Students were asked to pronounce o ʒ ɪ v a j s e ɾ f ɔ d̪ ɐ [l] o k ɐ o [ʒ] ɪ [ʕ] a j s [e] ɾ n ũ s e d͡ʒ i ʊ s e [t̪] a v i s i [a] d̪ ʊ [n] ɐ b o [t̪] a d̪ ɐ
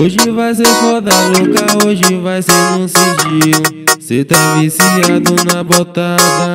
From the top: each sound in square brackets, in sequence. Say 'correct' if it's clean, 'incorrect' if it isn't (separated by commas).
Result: correct, correct, incorrect, correct, correct, correct, correct, correct